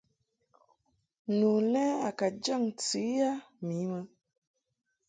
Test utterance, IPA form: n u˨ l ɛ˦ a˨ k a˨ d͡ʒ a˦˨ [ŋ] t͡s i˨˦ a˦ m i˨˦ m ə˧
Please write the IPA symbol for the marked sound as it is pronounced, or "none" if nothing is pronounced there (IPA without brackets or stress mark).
ŋ